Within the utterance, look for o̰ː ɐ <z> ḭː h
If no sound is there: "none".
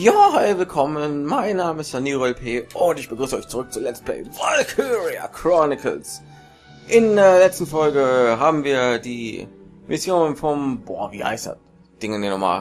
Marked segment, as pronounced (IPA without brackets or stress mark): v